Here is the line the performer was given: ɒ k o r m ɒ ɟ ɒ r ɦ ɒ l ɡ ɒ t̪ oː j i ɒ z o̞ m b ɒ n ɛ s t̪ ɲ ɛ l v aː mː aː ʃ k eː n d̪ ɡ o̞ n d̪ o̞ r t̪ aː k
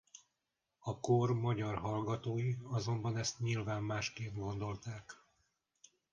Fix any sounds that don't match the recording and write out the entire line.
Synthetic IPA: ɒ k o r m ɒ ɟ ɒ r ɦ ɒ l ɡ ɒ t̪ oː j i ɒ z o̞ m b ɒ n ɛ s t̪ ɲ i l v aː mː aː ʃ k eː n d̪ ɡ o̞ n d̪ o̞ l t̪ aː k